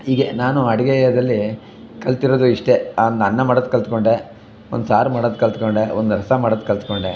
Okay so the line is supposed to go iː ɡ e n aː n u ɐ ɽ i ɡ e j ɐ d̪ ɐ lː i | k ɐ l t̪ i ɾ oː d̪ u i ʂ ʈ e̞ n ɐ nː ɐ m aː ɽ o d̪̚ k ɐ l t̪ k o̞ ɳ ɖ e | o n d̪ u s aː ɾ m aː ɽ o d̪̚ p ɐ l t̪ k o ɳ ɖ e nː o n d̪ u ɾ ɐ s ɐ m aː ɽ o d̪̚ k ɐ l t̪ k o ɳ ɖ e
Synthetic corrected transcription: iː ɡ e n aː n u ɐ ɽ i ɡ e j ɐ d̪ ɐ lː i | k ɐ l t̪ i ɾ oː d̪ u i ʂ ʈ e̞ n ɐ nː ɐ m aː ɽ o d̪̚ k ɐ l t̪ k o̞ ɳ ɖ e | o n d̪ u s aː ɾ m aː ɽ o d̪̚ k ɐ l t̪ k o ɳ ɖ e o n d̪ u ɾ ɐ s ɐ m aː ɽ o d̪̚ k ɐ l t̪ k o ɳ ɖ e